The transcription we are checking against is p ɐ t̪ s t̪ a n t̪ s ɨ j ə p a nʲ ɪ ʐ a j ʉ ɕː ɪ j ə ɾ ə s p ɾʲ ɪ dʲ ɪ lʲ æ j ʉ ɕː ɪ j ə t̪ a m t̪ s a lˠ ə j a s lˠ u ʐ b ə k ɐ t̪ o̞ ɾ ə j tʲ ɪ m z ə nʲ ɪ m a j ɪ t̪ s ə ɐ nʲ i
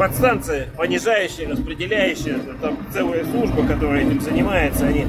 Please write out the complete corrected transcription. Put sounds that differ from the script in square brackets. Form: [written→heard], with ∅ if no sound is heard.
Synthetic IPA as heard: p ɐ t̪ s t̪ a n t̪ s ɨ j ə p [a→ə] nʲ ɪ ʐ a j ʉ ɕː ɪ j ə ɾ ə s p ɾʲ ɪ dʲ ɪ lʲ æ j ʉ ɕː ɪ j ə t̪ a m t̪ s [a→ɛ] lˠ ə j [a→ə] s lˠ u ʐ b ə k ɐ t̪ o̞ ɾ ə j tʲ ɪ m z ə nʲ ɪ m a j ɪ t̪ s ə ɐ nʲ i